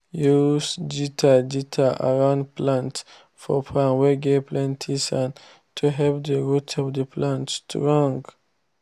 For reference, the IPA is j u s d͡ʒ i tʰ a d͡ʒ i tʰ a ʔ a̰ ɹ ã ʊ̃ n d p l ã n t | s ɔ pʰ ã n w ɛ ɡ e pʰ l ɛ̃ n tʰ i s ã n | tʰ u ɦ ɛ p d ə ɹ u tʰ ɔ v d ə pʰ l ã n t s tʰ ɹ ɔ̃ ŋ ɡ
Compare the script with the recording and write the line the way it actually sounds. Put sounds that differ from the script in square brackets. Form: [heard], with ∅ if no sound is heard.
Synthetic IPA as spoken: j u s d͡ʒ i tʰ a d͡ʒ i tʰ a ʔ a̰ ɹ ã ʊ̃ n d p l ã n t | [f] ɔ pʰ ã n w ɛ ɡ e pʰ l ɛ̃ n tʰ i s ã n | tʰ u ɦ ɛ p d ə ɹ u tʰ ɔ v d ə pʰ l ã n t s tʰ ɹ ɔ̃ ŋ ɡ